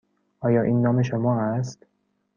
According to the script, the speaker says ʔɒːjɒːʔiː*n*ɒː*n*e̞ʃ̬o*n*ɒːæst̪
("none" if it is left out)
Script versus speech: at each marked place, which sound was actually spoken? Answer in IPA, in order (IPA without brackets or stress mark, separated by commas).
nː, m, m